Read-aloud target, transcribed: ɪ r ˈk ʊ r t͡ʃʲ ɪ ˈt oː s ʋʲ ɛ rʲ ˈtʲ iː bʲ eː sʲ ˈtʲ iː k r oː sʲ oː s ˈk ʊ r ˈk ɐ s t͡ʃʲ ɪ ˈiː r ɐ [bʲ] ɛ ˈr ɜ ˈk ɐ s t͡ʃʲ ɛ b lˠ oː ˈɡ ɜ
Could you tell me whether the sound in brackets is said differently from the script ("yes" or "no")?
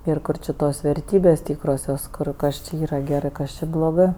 yes